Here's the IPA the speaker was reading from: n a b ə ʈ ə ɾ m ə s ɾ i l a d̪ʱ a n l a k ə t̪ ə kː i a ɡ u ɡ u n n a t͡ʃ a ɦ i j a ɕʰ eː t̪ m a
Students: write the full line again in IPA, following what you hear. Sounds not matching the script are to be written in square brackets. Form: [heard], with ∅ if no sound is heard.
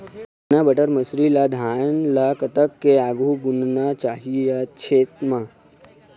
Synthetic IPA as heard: n a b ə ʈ ə ɾ m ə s ɾ i l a d̪ʱ a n l a k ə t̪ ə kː [e] a ɡ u ɡ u n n a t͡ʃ a ɦ i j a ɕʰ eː t̪ m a